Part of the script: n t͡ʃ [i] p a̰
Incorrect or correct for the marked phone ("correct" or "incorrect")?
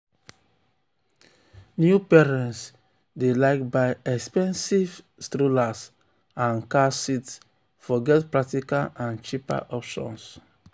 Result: correct